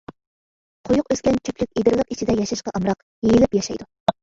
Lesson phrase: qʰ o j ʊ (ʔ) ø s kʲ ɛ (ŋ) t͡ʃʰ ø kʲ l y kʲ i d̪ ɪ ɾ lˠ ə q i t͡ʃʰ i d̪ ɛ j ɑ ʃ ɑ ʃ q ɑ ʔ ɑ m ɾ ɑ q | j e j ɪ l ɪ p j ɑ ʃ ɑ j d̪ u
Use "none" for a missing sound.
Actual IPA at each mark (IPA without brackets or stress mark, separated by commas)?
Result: q, n